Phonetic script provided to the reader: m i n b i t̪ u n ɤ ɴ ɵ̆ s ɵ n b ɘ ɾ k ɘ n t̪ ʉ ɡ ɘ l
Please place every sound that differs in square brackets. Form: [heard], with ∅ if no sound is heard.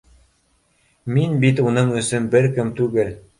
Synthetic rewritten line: m i n b i t̪ u n ɤ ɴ ɵ̆ s ɵ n b ɘ ɾ k ɘ [m] t̪ ʉ ɡ ɘ l

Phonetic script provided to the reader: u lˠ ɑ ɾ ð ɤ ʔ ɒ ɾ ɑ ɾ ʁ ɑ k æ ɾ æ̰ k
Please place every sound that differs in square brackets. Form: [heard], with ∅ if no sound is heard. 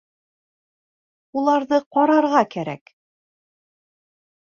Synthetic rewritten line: u lˠ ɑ ɾ ð ɤ [q] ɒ ɾ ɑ ɾ ʁ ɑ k æ ɾ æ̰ k

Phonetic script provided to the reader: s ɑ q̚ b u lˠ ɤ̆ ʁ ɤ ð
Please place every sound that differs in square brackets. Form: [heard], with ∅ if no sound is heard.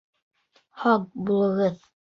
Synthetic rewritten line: [h] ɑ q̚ b u lˠ ɤ̆ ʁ ɤ ð

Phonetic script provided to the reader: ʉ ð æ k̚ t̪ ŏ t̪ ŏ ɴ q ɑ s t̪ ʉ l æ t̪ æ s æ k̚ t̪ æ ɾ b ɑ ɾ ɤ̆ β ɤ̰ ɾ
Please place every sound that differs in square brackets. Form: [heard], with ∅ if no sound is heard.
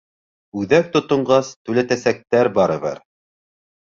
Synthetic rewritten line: ʉ ð æ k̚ t̪ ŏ t̪ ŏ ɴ [ɢ] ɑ s t̪ ʉ l æ t̪ æ s æ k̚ t̪ æ ɾ b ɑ ɾ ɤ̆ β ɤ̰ ɾ

